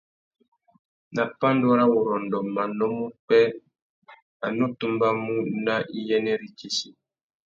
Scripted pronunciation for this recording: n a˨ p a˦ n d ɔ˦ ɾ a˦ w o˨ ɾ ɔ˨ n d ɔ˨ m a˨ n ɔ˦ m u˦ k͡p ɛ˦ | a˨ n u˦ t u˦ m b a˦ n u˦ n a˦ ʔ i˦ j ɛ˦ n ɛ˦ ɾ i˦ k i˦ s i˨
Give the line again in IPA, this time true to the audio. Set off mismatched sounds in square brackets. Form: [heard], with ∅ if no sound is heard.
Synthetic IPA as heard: n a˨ p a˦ n d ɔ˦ ɾ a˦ w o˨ ɾ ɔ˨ n d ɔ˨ m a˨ n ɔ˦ m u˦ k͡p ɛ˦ | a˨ n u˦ t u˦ m b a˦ [m] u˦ n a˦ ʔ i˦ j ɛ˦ n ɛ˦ ɾ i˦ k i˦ s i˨